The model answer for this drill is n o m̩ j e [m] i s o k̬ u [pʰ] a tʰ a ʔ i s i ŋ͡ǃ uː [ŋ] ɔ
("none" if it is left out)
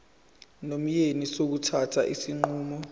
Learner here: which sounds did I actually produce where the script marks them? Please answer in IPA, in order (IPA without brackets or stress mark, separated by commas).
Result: n, tʰ, m